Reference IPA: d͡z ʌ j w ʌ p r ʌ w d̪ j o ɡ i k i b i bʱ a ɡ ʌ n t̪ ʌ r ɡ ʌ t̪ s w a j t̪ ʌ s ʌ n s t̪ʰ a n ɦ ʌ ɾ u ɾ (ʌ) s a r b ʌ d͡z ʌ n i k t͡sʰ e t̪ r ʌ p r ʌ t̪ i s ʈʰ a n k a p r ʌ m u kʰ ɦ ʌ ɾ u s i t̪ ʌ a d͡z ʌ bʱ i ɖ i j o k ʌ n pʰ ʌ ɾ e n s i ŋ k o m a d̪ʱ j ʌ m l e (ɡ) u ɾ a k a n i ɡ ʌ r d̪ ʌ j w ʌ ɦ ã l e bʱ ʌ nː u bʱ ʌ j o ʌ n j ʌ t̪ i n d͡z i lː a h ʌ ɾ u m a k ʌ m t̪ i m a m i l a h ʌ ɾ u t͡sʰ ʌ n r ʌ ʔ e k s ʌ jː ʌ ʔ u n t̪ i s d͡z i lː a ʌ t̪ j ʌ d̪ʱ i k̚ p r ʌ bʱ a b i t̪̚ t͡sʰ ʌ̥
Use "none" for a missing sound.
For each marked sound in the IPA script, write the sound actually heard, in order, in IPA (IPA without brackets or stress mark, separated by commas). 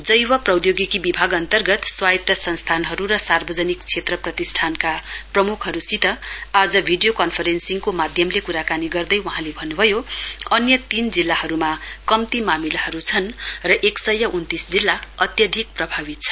ʌ, k